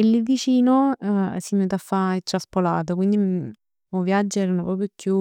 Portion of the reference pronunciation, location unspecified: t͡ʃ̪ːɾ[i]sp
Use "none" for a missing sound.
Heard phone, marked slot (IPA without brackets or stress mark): a